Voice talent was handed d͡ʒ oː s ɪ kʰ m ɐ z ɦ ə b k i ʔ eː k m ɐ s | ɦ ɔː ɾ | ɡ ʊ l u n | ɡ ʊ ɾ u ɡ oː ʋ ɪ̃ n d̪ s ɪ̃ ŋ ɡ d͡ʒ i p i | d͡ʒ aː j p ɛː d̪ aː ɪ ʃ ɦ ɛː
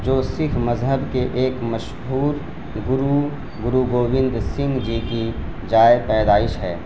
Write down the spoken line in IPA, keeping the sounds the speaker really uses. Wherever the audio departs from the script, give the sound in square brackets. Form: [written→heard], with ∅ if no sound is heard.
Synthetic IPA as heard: d͡ʒ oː s ɪ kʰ m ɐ z ɦ ə b k [i→e] ʔ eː k m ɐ [s→ʃ] | ɦ [ɔː→uː] ɾ | ɡ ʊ [l→ɾ] u [n→∅] | ɡ ʊ ɾ u ɡ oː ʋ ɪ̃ n d̪ s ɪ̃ ŋ ɡ d͡ʒ i [p→k] i | d͡ʒ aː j p ɛː d̪ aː ɪ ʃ ɦ ɛː